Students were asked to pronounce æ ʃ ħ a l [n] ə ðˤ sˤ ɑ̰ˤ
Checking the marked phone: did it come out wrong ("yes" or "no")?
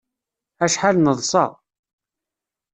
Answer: no